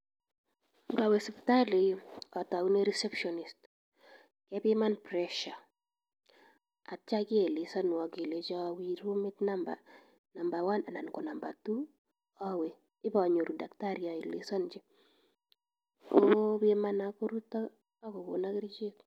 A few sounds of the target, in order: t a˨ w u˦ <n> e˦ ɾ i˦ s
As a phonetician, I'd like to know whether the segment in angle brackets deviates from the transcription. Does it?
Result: no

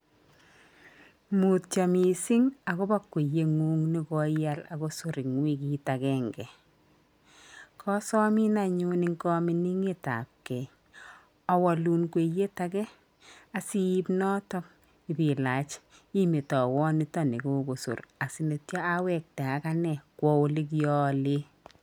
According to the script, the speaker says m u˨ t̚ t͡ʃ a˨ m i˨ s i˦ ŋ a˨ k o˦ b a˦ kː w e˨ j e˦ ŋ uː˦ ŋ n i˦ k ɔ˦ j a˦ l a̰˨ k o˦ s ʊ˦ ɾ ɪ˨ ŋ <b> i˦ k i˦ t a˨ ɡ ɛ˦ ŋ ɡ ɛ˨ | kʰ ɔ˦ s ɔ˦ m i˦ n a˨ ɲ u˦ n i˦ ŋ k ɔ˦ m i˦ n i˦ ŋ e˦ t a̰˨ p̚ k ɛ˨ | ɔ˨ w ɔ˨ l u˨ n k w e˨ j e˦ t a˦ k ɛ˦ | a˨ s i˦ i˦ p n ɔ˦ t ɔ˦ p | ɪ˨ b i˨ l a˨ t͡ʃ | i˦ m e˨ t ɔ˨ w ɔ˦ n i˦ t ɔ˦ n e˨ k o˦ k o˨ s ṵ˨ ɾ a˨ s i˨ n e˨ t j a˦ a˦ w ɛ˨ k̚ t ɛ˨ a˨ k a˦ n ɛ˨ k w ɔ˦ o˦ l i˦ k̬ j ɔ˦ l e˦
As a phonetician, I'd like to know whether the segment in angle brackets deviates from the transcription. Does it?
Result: yes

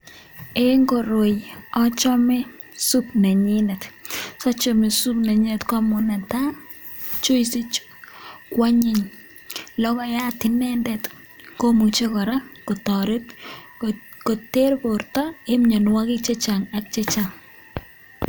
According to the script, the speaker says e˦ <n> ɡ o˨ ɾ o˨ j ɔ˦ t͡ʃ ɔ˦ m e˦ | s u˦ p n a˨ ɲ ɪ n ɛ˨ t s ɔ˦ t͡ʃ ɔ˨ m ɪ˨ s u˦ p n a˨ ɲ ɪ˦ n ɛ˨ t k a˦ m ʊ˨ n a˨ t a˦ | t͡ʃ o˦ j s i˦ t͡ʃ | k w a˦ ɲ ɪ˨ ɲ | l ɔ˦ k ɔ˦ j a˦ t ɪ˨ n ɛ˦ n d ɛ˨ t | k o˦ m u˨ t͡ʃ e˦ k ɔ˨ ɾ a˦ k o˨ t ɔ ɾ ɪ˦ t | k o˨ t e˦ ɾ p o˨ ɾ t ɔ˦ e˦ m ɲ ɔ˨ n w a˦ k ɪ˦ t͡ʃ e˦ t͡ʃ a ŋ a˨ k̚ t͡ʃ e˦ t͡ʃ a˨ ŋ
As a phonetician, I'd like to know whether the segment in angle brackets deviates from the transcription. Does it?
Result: yes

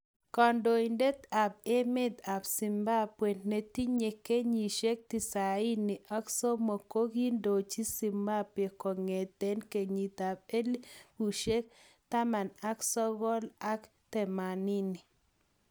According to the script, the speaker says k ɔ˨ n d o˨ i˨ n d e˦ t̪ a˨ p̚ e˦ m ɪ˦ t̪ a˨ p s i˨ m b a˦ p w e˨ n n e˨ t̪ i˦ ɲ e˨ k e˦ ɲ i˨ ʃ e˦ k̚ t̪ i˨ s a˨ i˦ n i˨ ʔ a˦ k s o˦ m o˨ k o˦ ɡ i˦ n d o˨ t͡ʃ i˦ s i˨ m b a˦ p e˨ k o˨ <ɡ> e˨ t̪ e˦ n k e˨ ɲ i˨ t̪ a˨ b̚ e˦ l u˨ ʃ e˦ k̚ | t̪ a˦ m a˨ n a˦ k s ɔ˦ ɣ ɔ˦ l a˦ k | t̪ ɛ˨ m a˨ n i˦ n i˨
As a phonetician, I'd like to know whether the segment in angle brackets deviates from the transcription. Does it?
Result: yes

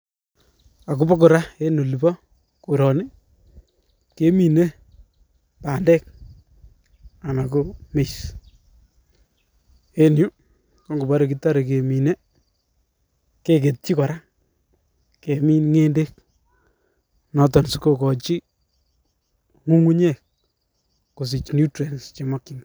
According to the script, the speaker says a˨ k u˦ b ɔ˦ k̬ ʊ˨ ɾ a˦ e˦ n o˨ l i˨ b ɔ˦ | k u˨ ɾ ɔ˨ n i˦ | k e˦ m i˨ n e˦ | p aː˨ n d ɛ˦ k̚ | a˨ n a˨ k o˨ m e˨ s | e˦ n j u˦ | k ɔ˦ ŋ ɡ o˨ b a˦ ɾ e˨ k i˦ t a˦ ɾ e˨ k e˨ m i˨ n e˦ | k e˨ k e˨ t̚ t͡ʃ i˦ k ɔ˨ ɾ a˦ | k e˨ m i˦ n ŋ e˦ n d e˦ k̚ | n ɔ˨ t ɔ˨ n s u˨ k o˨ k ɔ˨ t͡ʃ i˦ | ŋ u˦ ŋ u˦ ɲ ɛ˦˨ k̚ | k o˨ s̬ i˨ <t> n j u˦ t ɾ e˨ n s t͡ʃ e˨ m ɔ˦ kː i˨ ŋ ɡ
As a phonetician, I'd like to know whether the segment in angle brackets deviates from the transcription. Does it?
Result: yes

